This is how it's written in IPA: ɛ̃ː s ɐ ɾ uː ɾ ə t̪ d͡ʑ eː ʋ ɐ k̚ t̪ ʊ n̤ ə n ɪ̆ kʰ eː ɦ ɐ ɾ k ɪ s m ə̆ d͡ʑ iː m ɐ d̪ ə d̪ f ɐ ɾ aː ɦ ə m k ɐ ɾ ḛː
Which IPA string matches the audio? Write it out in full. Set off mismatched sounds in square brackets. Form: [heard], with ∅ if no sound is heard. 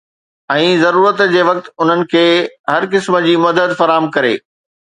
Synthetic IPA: ɛ̃ː [z] ɐ ɾ uː ɾ ə t̪ d͡ʑ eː ʋ ɐ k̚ t̪ ʊ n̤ ə n ɪ̆ kʰ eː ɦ ɐ ɾ k ɪ s m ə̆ d͡ʑ iː m ɐ d̪ ə d̪ f ɐ ɾ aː ɦ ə m k ɐ ɾ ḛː